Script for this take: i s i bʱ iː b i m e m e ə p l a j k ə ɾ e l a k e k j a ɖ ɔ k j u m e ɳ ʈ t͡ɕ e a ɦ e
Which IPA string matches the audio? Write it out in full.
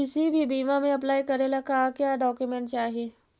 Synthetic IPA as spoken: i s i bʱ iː b i m a m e ə p l a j k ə ɾ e l a k a k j a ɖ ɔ k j u m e ɳ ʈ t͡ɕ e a ɦ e